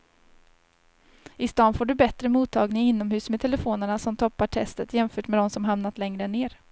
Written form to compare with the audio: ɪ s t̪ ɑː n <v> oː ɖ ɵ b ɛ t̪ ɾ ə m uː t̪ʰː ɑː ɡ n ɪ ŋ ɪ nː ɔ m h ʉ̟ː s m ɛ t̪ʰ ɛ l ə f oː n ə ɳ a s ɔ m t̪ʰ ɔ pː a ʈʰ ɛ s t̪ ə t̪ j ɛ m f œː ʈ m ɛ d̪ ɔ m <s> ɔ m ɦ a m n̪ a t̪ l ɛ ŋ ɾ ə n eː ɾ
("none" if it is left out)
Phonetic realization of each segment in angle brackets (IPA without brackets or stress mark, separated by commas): f, s